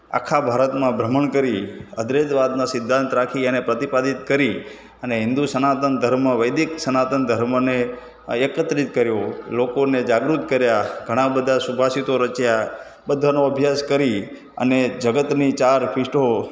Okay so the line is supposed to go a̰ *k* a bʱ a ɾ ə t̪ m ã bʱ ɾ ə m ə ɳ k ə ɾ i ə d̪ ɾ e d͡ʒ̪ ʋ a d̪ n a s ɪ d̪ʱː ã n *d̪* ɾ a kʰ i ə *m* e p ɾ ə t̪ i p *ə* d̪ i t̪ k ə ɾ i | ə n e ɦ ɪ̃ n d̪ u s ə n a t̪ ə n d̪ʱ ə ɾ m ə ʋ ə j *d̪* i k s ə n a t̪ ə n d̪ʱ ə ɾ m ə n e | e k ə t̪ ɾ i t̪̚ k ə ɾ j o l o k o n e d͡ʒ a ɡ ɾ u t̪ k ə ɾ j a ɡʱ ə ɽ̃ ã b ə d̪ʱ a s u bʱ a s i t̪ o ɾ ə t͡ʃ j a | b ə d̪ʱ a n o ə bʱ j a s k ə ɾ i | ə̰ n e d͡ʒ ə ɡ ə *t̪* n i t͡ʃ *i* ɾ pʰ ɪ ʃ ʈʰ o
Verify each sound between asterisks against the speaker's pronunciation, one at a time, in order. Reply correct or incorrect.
incorrect, incorrect, incorrect, incorrect, correct, correct, incorrect

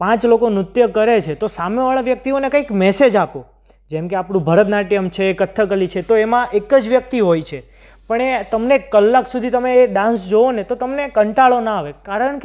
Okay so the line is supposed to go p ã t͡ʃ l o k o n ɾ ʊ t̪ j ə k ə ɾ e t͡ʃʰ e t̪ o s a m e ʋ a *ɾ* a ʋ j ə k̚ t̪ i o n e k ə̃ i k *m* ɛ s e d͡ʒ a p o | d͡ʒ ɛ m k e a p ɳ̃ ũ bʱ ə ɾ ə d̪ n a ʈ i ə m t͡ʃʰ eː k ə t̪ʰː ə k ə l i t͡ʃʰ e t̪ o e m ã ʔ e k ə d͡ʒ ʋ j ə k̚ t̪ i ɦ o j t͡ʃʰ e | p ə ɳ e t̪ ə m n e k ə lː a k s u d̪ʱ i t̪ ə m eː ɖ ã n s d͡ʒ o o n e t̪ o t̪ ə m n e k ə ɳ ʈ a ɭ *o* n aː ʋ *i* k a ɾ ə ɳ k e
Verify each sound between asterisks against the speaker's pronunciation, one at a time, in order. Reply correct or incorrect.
incorrect, correct, correct, incorrect

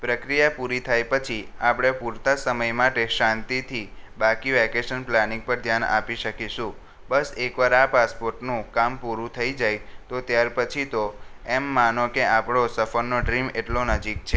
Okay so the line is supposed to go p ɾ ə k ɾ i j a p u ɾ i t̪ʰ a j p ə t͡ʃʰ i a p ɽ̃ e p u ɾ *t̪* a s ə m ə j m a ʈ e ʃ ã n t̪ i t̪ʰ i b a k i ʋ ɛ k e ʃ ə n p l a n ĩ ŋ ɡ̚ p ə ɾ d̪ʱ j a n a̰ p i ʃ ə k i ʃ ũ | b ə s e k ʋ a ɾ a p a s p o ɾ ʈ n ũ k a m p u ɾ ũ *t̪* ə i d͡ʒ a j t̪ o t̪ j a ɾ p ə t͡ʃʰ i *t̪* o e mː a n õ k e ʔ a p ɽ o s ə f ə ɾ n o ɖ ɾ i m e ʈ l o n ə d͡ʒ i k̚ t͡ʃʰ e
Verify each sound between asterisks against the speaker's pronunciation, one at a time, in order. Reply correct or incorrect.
correct, incorrect, correct

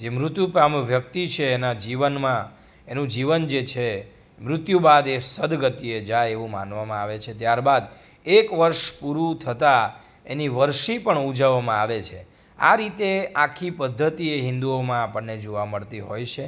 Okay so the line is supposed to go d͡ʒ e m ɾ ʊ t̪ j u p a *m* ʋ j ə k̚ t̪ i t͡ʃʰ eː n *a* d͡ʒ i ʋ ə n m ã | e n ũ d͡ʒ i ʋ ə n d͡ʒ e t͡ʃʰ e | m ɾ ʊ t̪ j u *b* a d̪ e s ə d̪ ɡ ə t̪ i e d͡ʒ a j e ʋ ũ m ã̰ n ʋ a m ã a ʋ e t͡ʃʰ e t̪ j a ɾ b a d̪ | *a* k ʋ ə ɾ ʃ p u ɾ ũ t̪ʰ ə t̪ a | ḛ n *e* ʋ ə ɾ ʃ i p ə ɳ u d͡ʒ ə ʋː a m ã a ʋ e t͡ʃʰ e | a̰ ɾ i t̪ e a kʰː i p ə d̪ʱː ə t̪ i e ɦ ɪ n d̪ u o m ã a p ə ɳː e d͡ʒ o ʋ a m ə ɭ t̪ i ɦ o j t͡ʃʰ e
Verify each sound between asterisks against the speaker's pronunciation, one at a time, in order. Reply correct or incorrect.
correct, correct, correct, incorrect, incorrect

